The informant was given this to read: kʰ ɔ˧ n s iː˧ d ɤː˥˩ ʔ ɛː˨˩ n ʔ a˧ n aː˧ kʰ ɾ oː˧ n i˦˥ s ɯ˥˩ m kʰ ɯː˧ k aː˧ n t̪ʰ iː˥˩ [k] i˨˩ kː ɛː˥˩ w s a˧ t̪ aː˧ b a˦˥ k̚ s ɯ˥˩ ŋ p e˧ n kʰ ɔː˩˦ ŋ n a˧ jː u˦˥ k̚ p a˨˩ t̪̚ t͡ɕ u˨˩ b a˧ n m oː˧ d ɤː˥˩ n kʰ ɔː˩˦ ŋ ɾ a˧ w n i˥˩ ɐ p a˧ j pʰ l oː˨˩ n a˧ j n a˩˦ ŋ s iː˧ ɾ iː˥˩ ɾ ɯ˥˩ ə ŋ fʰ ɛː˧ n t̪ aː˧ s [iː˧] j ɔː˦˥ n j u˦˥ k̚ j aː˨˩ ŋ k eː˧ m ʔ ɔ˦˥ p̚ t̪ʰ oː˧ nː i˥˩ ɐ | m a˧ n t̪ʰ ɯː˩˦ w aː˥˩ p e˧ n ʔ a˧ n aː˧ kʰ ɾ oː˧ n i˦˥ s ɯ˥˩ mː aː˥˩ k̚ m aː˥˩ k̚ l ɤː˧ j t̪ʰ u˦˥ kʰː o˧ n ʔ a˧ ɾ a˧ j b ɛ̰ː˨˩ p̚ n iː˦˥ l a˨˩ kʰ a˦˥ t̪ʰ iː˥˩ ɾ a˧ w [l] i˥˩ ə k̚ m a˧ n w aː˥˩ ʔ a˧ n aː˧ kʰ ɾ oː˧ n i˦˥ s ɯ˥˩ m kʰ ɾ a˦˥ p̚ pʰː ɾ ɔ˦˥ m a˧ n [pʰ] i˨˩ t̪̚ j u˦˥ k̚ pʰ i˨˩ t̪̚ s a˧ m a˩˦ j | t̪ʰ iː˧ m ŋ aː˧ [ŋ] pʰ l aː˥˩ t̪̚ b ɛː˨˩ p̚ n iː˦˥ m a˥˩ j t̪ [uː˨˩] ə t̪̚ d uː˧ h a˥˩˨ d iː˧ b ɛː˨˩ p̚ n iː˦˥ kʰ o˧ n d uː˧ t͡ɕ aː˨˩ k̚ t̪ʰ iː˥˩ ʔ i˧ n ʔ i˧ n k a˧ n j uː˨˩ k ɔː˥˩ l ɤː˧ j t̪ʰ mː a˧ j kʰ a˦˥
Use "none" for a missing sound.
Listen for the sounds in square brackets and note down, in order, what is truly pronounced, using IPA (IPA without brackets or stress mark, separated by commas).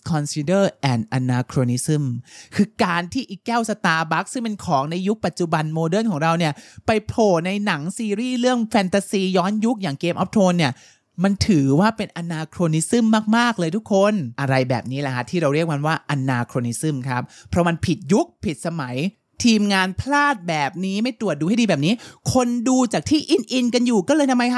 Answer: ʔ, iː˧, ɾ, pʰ, n, u˨˩